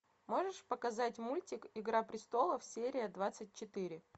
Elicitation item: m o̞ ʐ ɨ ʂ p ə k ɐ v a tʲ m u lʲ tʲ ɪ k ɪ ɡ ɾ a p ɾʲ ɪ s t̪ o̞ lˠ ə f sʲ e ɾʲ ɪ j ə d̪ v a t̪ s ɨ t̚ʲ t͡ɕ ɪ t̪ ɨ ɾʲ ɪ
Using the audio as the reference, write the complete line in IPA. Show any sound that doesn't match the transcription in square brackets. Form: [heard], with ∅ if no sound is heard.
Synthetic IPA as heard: m o̞ ʐ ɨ ʂ p ə k ɐ [z] a tʲ m u lʲ tʲ ɪ k ɪ ɡ ɾ a p ɾʲ ɪ s t̪ o̞ lˠ ə f sʲ e ɾʲ ɪ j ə d̪ v a t̪ s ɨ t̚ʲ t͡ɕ ɪ t̪ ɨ ɾʲ ɪ